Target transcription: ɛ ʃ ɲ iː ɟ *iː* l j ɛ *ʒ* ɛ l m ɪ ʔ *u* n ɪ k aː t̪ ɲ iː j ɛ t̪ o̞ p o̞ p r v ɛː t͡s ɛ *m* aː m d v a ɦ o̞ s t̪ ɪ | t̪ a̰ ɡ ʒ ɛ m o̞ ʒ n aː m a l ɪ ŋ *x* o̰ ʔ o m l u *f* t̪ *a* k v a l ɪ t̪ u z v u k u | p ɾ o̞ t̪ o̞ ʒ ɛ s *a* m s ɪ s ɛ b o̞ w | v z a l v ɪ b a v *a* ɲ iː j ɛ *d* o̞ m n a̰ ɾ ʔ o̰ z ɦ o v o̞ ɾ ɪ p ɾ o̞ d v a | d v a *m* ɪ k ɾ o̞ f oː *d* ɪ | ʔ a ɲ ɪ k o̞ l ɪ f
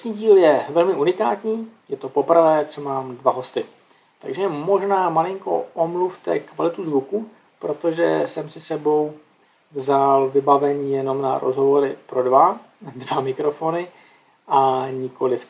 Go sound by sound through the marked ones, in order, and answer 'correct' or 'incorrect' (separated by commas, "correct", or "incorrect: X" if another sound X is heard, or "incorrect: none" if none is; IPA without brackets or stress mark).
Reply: correct, incorrect: v, correct, correct, incorrect: k, correct, incorrect: ɛ, incorrect: ɛ, incorrect: ɛ, incorrect: n, correct, incorrect: n